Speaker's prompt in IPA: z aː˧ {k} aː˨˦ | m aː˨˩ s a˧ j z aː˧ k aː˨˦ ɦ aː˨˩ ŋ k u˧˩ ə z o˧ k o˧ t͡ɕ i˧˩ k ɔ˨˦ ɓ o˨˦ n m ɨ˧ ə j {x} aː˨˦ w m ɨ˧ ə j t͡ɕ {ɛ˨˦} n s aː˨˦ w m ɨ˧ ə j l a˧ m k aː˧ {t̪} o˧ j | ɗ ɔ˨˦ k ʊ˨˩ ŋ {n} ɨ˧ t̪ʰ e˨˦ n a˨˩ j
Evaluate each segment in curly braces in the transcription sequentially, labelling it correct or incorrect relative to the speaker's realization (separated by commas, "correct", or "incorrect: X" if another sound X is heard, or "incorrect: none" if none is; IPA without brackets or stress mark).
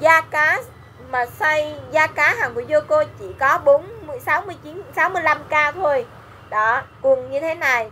correct, incorrect: s, incorrect: i˨˦, incorrect: t̪ʰ, incorrect: ɲ